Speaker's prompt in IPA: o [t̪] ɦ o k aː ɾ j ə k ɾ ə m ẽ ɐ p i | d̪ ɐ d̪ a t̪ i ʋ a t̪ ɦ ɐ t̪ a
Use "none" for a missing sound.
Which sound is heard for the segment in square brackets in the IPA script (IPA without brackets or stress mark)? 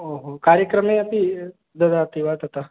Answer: none